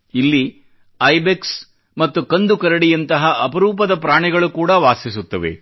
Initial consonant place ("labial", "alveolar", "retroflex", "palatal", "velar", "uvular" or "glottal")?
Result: alveolar